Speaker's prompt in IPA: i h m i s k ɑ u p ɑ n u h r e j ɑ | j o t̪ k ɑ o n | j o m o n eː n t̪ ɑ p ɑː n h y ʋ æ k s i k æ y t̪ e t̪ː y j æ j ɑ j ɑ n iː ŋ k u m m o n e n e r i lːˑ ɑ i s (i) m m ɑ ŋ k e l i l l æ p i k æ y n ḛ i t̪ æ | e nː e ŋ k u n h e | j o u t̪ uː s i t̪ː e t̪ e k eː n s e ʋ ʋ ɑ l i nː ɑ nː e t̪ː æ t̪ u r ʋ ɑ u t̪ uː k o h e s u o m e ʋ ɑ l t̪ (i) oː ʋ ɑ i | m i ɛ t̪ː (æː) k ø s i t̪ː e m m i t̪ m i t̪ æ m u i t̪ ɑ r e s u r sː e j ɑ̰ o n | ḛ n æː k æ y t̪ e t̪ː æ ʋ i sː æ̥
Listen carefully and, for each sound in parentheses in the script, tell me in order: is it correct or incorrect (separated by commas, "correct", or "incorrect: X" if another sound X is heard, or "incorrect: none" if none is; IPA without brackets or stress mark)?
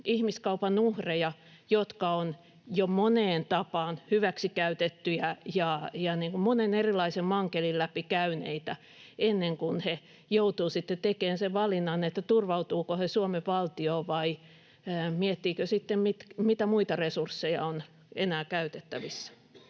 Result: incorrect: e, correct, incorrect: iː